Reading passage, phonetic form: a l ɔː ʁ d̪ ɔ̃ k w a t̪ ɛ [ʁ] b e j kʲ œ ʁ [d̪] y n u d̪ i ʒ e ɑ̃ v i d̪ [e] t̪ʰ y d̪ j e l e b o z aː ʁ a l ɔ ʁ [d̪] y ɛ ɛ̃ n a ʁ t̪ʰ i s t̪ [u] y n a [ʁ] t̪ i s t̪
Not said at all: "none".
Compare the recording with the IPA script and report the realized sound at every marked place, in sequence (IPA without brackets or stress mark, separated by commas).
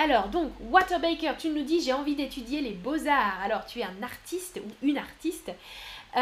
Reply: ʁ, t̪, e, t̪, u, ʁ